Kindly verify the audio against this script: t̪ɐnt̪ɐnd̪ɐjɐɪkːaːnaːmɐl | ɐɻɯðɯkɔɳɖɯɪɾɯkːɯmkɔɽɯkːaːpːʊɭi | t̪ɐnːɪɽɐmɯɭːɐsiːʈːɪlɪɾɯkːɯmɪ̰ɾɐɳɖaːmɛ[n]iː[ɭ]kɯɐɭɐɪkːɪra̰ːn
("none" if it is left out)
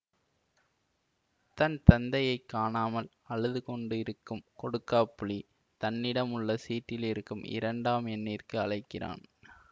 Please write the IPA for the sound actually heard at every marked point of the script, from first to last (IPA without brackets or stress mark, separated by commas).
nː, r